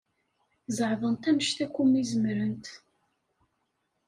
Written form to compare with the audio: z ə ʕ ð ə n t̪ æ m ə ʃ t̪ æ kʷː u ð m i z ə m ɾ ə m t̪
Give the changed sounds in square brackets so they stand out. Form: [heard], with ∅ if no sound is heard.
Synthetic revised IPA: z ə ʕ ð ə n t̪ æ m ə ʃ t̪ æ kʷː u [∅] m i z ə m ɾ ə [n] t̪